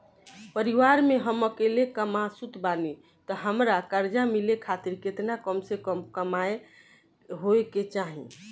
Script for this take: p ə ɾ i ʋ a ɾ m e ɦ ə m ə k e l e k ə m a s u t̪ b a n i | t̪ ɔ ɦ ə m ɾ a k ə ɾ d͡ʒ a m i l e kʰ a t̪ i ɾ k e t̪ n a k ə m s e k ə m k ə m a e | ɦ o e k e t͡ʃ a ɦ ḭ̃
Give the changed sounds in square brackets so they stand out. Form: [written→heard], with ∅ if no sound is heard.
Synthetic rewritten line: p ə ɾ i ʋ a ɾ m e ɦ ə m ə k e l e k ə m a s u t̪ b a n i | t̪ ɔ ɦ ə m ɾ a k ə ɾ d͡ʒ a m i l e kʰ a t̪ i ɾ k e t̪ n a k ə m s e k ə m k ə m a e | ɦ o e k e t͡ʃ a ɦ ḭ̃